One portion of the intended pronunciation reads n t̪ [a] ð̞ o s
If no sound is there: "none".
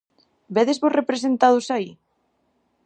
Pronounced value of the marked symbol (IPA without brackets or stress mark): a